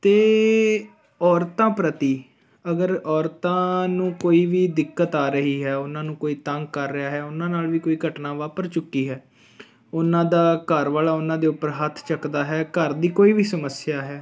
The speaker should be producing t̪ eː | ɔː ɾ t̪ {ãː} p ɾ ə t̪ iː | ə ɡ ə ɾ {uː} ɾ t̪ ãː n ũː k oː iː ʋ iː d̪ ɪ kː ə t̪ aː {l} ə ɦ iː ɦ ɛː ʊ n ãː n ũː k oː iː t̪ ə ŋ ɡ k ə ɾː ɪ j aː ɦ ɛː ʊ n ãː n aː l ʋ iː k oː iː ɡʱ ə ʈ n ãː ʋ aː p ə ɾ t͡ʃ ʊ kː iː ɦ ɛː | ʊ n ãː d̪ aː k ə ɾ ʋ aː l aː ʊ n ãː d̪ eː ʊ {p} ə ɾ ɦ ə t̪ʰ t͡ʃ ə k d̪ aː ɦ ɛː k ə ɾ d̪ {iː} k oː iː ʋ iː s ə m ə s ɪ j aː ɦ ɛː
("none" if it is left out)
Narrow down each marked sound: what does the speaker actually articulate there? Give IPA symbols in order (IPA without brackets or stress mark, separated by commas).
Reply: ãː, ɔː, ɾ, p, iː